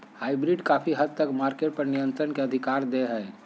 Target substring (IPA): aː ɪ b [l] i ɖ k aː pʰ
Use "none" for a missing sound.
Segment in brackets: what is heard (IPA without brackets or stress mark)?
ɾ